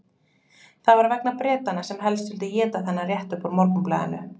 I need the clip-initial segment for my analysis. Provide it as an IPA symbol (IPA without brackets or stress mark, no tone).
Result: θ